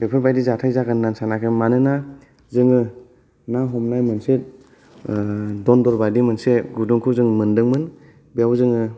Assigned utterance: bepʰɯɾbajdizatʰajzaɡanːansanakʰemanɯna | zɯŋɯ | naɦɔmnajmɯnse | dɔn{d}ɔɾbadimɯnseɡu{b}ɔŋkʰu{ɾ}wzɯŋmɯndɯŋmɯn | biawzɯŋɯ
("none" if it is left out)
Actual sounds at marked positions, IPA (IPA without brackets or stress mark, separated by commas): d, d, none